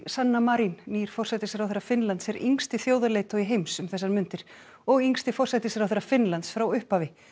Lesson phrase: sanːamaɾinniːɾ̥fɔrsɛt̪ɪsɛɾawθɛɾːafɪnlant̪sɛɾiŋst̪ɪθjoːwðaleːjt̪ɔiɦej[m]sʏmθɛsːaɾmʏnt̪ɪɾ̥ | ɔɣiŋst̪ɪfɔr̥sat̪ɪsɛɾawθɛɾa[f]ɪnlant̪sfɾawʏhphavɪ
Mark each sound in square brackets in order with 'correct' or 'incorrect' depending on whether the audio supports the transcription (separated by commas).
correct, correct